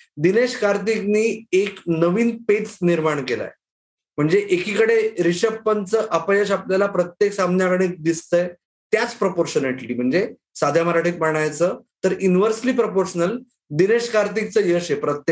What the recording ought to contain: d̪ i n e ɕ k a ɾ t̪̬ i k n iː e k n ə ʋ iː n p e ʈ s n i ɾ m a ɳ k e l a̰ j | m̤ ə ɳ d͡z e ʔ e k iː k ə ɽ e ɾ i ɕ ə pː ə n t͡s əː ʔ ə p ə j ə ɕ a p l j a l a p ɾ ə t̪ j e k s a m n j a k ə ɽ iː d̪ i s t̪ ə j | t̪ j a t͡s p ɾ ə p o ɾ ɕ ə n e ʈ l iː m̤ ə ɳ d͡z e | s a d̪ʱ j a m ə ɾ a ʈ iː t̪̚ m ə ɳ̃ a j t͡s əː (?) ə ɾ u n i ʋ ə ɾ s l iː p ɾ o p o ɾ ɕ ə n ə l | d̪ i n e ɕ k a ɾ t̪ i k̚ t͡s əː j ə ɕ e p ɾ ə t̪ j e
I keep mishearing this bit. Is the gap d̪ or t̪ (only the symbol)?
t̪